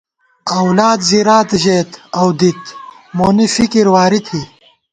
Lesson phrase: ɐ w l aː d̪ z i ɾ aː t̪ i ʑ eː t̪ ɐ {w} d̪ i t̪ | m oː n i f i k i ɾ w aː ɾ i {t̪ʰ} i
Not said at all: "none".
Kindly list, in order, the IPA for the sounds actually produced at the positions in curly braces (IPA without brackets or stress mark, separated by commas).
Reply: w, t̪ʰ